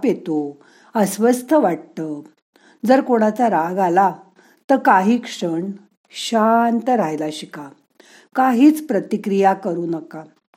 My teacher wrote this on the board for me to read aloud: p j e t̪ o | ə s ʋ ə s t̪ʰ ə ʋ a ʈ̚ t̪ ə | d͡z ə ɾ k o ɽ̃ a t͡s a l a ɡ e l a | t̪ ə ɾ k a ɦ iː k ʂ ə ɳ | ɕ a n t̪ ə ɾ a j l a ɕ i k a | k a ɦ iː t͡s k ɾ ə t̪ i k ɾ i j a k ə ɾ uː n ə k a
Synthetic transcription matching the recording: p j e t̪ o | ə s ʋ ə s t̪ʰ ə ʋ a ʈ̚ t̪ ə | d͡z ə ɾ k o ɽ̃ a t͡s a ɾ a ɡ a l a | t̪ ə ɾ k a ɦ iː k ʂ ə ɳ | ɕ a n t̪ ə ɾ a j l a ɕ i k a | k a ɦ iː t͡s p ɾ ə t̪ i k ɾ i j a k ə ɾ uː n ə k a